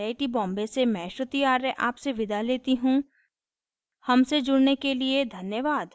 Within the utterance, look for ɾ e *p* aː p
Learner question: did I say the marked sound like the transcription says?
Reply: no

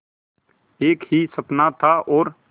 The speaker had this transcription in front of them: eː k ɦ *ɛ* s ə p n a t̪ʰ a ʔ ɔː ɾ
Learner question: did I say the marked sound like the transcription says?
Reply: no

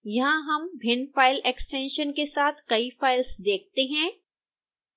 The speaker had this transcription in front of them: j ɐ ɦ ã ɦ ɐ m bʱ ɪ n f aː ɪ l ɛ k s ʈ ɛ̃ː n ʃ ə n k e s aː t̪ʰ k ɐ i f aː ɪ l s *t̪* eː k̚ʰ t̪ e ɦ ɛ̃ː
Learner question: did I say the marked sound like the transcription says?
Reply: no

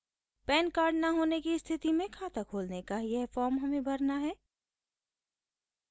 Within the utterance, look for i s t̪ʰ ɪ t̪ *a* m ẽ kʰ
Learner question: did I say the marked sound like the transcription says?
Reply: no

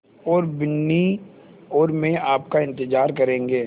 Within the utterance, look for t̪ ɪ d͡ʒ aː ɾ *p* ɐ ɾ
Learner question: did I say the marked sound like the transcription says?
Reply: no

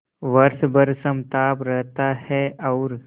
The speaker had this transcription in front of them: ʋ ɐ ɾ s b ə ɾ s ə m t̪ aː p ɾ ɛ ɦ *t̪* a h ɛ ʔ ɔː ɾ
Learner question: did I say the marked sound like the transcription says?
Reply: yes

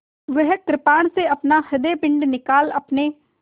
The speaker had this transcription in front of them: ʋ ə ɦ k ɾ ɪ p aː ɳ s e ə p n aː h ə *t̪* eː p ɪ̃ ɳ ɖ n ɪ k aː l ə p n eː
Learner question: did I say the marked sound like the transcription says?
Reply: no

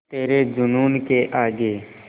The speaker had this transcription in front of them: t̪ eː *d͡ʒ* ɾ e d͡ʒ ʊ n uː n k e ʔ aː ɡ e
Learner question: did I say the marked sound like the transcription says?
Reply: no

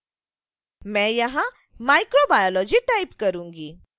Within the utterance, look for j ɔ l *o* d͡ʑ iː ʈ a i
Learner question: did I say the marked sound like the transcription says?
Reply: no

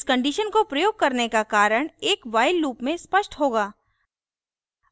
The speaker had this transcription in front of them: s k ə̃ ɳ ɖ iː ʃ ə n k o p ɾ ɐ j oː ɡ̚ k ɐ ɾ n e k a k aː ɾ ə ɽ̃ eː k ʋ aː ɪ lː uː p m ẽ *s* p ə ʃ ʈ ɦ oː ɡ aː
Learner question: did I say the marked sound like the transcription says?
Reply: yes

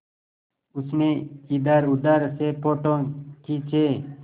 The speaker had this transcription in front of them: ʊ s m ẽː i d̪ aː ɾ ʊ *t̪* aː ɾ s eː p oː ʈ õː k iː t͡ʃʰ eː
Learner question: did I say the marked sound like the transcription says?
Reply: no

